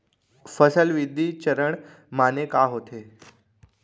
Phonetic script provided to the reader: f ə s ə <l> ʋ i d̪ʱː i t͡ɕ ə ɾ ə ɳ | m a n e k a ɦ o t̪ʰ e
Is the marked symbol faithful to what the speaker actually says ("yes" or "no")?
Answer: yes